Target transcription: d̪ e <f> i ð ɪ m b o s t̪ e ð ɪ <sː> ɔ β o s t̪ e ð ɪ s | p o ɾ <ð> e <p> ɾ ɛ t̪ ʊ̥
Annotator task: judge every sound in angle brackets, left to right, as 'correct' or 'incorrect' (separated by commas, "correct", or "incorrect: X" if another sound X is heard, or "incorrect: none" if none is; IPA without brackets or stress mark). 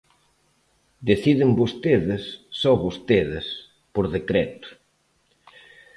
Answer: incorrect: θ, correct, correct, incorrect: k